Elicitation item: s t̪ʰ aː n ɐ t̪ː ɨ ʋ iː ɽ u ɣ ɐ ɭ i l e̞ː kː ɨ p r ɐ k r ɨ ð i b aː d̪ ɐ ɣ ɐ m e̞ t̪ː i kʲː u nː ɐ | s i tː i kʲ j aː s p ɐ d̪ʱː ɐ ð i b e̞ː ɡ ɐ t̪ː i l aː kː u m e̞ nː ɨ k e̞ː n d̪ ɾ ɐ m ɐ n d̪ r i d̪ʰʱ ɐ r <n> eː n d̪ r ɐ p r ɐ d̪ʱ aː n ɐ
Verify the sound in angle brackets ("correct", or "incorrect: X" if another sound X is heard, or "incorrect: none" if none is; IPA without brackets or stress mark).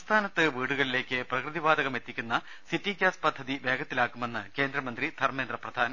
incorrect: m